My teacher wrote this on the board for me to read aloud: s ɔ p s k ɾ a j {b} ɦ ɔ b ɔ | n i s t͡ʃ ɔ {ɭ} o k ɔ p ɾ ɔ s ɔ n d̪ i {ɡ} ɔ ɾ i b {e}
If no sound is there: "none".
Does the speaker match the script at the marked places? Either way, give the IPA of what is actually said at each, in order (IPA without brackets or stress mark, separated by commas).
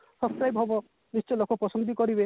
b, l, k, e